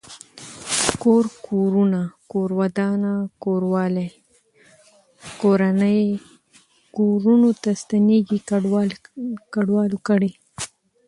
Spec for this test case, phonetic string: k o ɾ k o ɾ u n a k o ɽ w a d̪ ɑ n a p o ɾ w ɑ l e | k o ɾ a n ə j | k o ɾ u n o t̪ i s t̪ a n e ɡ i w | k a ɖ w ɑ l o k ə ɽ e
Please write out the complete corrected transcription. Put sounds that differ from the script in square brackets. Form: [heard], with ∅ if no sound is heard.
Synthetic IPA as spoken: k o ɾ k o ɾ u n a k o [ɾ] w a d̪ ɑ n a [k] o ɾ w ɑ l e | k o ɾ a n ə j | k o ɾ u n o t̪ [a] s t̪ a n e ɡ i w | k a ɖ w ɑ l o k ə ɽ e